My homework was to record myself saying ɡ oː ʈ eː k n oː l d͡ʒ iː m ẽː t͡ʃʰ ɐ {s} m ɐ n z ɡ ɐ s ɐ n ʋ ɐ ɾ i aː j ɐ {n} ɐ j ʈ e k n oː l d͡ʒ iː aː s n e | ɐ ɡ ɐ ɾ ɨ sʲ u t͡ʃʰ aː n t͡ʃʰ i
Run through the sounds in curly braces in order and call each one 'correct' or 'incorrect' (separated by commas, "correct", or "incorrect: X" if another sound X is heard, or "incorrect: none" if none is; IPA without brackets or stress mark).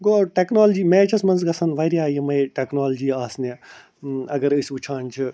correct, incorrect: m